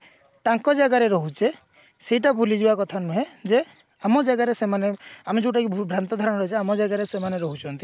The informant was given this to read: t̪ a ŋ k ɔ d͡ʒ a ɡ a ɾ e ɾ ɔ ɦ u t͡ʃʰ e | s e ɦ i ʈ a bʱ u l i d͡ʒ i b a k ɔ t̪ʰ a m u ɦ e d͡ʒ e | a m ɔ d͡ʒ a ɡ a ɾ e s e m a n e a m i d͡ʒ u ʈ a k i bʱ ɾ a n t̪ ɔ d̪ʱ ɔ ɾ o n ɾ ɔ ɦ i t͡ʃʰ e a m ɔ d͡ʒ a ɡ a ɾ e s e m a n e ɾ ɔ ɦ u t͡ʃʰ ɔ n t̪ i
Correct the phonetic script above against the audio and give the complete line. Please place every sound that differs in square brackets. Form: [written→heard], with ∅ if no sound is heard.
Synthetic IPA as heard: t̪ a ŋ k ɔ d͡ʒ a ɡ a ɾ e ɾ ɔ ɦ u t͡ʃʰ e | s e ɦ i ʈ a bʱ u l i d͡ʒ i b a k ɔ t̪ʰ a [m→n] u ɦ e d͡ʒ e | a m ɔ d͡ʒ a ɡ a ɾ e s e m a n e a m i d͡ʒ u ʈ a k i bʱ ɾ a n t̪ ɔ d̪ʱ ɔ ɾ [o→ɔ] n ɾ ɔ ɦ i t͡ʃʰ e a m ɔ d͡ʒ a ɡ a ɾ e s e m a n e ɾ ɔ ɦ u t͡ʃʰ ɔ n t̪ i